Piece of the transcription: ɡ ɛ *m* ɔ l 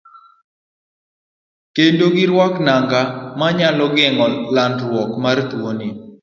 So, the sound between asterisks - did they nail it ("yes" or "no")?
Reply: no